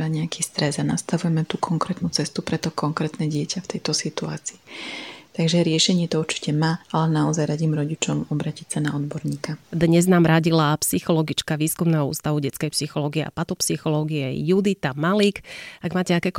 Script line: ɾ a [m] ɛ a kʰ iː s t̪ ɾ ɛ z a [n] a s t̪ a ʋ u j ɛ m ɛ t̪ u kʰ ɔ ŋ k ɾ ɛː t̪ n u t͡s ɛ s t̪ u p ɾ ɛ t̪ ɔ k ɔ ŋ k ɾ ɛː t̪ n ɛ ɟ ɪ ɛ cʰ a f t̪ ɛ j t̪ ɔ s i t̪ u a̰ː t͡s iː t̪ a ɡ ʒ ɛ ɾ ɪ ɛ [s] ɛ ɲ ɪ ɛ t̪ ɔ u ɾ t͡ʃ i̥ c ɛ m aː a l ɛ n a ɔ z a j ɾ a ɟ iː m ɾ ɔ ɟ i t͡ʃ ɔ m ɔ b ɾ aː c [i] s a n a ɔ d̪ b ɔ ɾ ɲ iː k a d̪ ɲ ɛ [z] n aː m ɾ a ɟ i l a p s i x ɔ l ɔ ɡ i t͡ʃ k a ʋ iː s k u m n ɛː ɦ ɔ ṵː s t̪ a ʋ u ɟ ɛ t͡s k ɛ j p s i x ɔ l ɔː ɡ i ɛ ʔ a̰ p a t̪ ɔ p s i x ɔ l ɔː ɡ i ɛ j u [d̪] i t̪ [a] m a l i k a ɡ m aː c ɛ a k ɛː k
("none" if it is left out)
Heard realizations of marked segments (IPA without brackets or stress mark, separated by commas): ɲ, n, ʃ, i, z, d̪, a